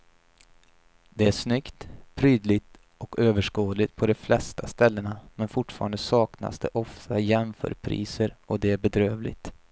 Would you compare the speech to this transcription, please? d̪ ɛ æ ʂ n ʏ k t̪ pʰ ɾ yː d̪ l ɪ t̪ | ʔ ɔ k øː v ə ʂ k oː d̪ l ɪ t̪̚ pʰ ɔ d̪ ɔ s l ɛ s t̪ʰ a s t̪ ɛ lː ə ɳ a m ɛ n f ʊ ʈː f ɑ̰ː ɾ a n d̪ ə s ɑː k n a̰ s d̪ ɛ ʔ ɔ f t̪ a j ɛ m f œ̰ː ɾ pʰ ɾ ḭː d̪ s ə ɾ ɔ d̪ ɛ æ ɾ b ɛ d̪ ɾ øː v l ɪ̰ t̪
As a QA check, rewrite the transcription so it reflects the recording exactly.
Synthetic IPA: d̪ ɛ æ ʂ n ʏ k t̪ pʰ ɾ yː d̪ l ɪ t̪ | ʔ ɔ k øː v ə ʂ k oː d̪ l ɪ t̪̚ pʰ ɔ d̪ ɔ f l ɛ s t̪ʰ a s t̪ ɛ lː ə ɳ a m ɛ n f ʊ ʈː f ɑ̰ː ɾ a n d̪ ə s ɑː k n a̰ s d̪ ɛ ʔ ɔ f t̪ a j ɛ m f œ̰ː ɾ pʰ ɾ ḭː s ə ɾ ɔ d̪ ɛ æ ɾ b ɛ d̪ ɾ øː v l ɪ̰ t̪